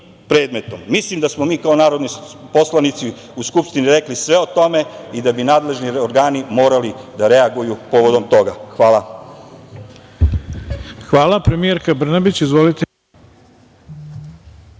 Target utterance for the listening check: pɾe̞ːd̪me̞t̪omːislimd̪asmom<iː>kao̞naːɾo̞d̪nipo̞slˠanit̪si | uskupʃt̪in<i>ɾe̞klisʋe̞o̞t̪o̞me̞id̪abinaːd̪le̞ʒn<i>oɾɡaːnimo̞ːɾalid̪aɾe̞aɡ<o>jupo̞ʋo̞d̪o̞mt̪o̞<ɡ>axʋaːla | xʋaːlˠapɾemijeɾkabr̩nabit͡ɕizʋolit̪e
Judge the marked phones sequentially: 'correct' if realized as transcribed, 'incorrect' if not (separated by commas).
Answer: correct, correct, correct, incorrect, correct